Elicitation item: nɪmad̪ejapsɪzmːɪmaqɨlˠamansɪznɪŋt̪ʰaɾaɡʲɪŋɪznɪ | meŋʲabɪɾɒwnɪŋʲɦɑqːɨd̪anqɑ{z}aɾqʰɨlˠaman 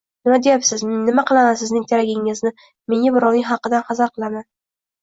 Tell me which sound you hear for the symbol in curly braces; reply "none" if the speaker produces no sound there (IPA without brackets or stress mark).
z